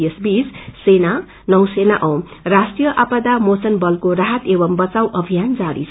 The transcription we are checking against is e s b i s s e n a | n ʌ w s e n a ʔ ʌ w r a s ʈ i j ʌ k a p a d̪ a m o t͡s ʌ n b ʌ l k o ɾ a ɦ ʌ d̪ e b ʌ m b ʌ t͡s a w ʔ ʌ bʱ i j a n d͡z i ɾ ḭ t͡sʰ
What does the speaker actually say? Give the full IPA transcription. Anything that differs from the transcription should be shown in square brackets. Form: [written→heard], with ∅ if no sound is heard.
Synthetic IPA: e s b i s s e n a | n ʌ w s e n a ʔ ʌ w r a s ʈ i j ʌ [k→ʔ] a p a d̪ a m o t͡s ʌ n b ʌ l k o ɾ a ɦ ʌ [d̪→t̪] e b ʌ m b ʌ t͡s a w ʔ ʌ bʱ i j a n d͡z [i→a] ɾ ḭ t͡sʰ